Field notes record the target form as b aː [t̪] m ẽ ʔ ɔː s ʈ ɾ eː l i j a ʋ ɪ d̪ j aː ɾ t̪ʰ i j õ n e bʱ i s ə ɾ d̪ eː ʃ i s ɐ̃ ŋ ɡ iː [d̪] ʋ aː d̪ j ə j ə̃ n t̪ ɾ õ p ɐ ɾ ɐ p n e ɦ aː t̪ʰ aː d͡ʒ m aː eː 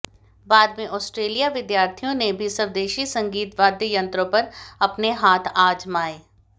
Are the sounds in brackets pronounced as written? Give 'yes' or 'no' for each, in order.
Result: no, no

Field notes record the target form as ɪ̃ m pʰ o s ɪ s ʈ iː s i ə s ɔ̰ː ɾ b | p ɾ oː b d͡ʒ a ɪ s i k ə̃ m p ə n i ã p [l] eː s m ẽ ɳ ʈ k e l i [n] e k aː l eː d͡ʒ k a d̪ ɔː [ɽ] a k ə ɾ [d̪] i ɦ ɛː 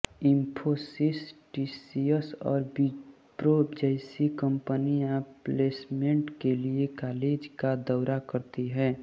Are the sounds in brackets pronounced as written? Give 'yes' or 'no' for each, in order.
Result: yes, no, no, no

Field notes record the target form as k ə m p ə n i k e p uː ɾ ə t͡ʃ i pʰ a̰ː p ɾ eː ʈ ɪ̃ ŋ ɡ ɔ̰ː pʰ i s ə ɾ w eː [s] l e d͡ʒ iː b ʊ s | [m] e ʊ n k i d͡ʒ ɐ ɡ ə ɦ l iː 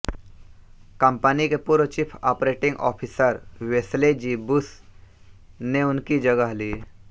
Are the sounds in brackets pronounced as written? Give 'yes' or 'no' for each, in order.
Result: yes, no

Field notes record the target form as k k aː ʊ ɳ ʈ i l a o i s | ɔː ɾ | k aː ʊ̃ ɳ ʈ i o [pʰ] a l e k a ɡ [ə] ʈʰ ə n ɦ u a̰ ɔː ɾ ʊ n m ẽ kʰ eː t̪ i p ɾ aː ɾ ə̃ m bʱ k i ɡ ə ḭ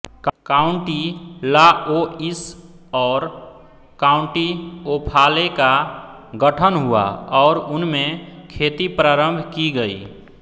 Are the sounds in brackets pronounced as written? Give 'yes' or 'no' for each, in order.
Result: yes, yes

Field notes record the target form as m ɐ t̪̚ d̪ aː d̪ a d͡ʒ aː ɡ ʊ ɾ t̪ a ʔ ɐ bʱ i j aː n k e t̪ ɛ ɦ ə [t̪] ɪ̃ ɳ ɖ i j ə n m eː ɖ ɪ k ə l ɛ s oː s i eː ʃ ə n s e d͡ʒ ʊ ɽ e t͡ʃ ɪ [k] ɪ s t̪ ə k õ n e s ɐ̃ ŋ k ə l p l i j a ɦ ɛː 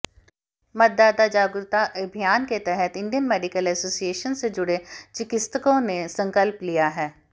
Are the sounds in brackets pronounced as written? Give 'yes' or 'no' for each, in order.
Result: yes, yes

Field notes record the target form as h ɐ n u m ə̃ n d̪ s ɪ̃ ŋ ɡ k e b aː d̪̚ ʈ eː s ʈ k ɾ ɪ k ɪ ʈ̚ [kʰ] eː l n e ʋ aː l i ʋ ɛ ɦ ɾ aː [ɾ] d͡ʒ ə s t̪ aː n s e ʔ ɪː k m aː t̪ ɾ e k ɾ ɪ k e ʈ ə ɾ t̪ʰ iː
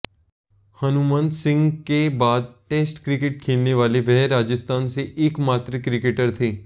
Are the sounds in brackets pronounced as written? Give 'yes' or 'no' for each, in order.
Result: yes, no

